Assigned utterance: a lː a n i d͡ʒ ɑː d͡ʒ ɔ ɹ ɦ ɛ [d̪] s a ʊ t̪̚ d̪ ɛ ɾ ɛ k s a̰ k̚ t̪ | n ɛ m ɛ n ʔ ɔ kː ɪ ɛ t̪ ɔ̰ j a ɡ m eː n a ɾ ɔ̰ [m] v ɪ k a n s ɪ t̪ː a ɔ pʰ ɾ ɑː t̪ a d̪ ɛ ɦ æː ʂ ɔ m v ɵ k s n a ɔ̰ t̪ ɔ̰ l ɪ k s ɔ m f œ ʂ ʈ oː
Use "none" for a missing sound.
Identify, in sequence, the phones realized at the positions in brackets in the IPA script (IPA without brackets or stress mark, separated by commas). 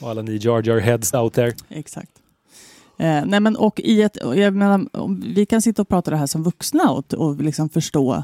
d̪, m